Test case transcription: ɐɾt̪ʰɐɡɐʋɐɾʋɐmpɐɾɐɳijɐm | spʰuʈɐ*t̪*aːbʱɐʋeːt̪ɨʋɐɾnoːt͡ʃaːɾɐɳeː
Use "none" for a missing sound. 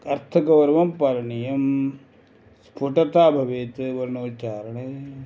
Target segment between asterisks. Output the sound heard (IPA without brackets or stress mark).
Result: t̪